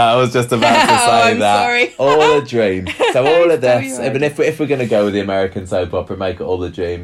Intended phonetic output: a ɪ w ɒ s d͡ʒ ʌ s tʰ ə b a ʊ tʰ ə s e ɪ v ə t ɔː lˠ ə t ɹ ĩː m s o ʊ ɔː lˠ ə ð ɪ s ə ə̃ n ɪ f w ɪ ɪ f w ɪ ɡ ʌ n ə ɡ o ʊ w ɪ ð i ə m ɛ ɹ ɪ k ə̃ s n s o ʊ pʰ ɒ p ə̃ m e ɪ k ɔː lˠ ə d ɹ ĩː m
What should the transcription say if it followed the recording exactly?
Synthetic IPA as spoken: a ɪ w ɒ z d͡ʒ ʌ s t ə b a ʊ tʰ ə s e ɪ ð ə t ɔː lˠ ə d ɹ ĩː m s o ʊ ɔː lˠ ə ð ɪ s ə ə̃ n ɪ f w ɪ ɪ f w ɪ ɡ ʌ n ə ɡ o ʊ w ɪ ð i ə m ɛ ɹ ɪ k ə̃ n s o ʊ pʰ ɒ p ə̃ m e ɪ k ɔː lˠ ə d ɹ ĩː m